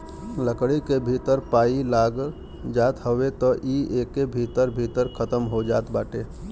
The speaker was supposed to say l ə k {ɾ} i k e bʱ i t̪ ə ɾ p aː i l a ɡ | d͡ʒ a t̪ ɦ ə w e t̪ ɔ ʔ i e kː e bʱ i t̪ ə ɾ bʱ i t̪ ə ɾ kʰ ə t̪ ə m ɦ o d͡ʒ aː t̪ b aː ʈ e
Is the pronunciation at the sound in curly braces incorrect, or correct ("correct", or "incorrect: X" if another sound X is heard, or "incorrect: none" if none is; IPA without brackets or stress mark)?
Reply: incorrect: ɽ